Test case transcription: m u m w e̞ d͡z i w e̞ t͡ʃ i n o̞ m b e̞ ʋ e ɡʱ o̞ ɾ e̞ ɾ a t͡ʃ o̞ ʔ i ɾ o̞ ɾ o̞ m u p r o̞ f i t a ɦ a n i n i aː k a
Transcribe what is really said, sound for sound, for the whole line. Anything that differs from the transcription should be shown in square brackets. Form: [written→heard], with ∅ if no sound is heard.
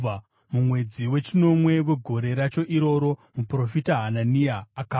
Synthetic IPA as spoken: m u m w e̞ d͡z i w e̞ t͡ʃ i n o̞ m [b→w] e̞ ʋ e ɡʱ o̞ ɾ e̞ ɾ a t͡ʃ o̞ ʔ i ɾ o̞ ɾ o̞ m u p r o̞ f i t a ɦ a n [i→a] n i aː k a